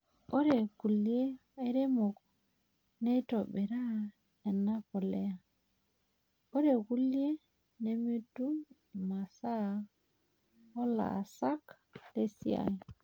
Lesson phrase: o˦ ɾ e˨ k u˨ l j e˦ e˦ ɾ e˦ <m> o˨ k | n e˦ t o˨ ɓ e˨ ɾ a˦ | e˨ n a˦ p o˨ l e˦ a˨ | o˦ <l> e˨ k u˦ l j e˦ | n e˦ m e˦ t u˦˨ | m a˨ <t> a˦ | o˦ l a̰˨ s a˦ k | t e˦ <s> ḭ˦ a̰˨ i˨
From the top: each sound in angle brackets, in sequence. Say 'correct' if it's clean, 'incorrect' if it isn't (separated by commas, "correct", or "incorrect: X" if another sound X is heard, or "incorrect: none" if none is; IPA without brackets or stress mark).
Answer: correct, incorrect: ɾ, incorrect: s, correct